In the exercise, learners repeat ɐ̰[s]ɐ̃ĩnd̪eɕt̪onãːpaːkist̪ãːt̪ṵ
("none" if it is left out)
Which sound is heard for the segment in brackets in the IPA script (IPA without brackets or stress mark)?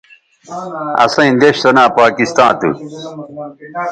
s